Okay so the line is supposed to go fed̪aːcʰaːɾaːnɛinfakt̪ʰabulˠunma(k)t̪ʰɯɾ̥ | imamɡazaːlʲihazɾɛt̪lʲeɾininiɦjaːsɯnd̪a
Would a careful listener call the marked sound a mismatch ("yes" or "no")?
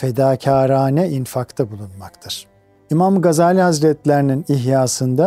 no